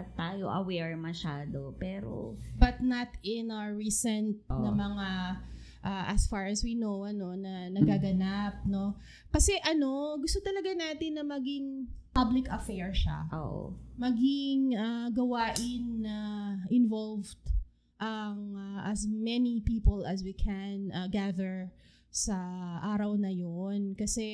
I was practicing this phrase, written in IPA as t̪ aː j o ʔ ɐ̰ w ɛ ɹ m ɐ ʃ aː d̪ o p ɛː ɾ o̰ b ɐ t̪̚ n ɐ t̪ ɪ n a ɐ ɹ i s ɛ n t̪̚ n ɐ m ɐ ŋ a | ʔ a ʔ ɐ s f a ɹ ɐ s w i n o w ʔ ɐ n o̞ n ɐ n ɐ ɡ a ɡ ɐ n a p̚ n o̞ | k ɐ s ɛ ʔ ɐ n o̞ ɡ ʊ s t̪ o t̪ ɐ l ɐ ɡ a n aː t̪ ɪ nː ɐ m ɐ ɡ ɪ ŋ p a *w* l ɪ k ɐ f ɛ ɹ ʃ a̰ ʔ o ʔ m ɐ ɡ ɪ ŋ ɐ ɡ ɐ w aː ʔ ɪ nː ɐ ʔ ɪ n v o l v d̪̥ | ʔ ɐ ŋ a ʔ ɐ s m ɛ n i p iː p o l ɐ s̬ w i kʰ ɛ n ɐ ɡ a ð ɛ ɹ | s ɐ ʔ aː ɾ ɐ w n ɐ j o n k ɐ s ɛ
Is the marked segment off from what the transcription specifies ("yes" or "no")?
yes